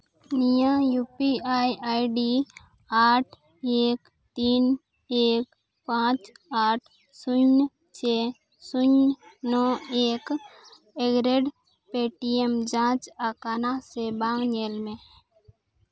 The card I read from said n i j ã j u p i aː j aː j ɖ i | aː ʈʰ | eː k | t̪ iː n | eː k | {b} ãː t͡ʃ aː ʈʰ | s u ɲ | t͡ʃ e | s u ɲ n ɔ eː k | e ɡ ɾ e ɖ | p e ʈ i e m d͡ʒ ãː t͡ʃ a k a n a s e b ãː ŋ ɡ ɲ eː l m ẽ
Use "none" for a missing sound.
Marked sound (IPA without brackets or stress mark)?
p